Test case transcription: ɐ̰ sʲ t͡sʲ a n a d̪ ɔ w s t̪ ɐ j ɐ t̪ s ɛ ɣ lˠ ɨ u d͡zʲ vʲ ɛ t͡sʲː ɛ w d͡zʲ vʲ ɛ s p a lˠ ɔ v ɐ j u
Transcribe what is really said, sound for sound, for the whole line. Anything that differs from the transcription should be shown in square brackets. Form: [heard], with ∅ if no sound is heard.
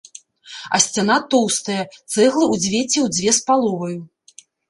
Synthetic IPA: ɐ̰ sʲ t͡sʲ a n a [t̪] ɔ w s t̪ ɐ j ɐ t̪ s ɛ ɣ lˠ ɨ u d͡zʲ vʲ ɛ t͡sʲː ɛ w d͡zʲ vʲ ɛ s p a lˠ ɔ v ɐ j u